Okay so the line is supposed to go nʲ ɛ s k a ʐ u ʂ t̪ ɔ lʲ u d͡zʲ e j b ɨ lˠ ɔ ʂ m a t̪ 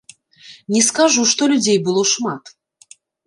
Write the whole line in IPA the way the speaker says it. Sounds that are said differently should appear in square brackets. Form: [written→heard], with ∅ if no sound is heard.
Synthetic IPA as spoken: nʲ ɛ s k a ʐ u ʂ t̪ ɔ lʲ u d͡zʲ e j b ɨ lˠ ɔ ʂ m a t̪

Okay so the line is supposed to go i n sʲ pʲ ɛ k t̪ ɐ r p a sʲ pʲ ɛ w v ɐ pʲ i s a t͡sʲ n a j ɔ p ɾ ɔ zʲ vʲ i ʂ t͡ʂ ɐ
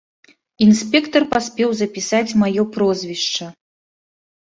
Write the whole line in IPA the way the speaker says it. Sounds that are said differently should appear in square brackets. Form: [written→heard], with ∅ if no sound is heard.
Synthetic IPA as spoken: i n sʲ pʲ ɛ k t̪ ɐ r p a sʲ pʲ ɛ w [v→z] ɐ pʲ i s a t͡sʲ [n→m] a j ɔ p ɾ ɔ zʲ vʲ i ʂ t͡ʂ ɐ

